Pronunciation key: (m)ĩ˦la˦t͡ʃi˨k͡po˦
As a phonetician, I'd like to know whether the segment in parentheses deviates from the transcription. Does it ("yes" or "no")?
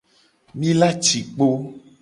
no